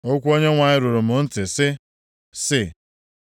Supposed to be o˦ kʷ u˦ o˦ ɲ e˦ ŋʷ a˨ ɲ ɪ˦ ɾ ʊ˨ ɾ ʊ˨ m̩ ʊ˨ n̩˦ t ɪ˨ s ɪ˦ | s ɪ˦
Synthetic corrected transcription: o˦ kʷ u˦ o˦ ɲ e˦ ŋʷ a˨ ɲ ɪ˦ ɾ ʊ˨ ɾ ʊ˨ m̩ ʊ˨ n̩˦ t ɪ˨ s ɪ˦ | s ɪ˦